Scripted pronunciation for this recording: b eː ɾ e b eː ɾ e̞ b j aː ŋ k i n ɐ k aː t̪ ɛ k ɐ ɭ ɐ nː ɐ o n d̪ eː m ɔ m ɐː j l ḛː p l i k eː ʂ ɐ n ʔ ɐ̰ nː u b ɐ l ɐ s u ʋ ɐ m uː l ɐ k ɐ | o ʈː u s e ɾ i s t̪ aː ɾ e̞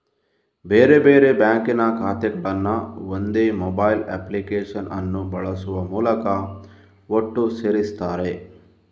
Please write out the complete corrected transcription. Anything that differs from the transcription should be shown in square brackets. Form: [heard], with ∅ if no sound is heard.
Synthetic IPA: b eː ɾ e b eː ɾ e̞ b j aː ŋ k i n ɐ k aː t̪ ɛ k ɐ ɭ ɐ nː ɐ o n d̪ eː m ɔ [b] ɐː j l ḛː p l i k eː ʂ ɐ n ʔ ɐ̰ nː u b ɐ [ɭ] ɐ s u ʋ ɐ m uː l ɐ k ɐ | o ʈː u s e ɾ i s t̪ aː ɾ e̞